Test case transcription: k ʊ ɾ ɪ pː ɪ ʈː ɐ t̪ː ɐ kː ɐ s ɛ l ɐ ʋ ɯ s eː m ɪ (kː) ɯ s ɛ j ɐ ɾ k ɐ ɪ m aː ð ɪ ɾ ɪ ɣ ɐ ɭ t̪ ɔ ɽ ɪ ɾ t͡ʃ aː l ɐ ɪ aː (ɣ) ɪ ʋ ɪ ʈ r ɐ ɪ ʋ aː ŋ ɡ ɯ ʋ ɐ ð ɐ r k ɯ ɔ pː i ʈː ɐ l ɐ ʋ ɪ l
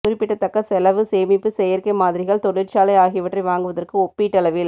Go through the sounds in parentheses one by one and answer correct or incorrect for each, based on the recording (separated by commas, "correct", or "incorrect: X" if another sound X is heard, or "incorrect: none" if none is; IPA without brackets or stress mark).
incorrect: pː, correct